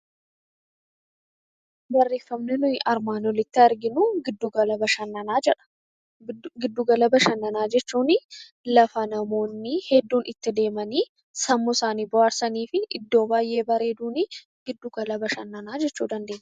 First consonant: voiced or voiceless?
voiced